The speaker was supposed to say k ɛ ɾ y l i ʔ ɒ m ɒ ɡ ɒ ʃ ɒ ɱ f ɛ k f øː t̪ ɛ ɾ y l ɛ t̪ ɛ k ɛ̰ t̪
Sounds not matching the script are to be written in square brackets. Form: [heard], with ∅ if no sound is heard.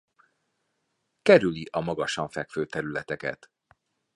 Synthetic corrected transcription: k ɛ ɾ y l i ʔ ɒ m ɒ ɡ ɒ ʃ ɒ ɱ f ɛ k f øː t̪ ɛ ɾ y l ɛ t̪ ɛ k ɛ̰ t̪